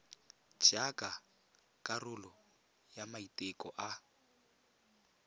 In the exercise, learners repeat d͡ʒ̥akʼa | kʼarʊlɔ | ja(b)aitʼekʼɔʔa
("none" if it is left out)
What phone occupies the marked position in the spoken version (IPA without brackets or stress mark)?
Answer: m